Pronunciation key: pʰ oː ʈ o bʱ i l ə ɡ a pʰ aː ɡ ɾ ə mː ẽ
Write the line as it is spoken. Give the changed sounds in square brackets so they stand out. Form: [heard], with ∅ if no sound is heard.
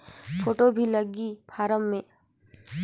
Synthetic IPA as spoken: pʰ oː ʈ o bʱ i l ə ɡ [i] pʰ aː [∅] ɾ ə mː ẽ